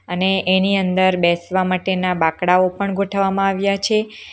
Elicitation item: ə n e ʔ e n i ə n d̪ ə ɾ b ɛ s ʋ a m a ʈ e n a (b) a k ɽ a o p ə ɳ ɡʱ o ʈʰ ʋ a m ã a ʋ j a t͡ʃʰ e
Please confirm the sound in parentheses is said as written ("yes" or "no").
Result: yes